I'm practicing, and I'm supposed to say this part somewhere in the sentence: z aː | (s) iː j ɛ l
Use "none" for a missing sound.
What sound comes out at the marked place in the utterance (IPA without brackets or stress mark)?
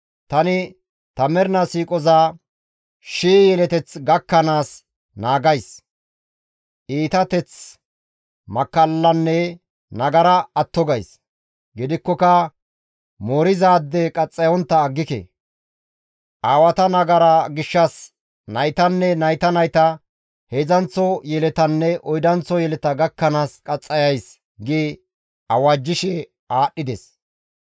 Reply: ʃ